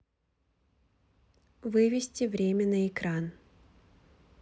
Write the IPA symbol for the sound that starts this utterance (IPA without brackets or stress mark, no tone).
v